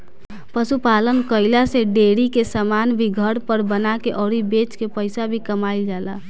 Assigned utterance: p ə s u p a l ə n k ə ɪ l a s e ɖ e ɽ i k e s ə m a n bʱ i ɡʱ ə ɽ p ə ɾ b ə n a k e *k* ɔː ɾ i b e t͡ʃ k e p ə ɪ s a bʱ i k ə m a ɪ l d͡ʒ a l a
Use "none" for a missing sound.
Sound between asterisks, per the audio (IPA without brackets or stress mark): ʔ